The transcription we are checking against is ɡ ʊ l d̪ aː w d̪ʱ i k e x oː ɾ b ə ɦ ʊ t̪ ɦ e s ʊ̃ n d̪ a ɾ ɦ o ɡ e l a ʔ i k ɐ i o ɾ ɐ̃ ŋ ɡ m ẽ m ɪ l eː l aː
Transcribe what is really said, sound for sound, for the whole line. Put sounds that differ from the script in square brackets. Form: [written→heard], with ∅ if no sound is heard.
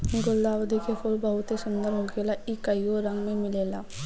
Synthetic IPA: ɡ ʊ l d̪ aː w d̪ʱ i k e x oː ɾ b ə ɦ ʊ t̪ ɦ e s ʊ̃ n d̪ [a→ə] ɾ ɦ o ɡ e l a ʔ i k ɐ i o ɾ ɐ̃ ŋ ɡ m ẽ m ɪ l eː l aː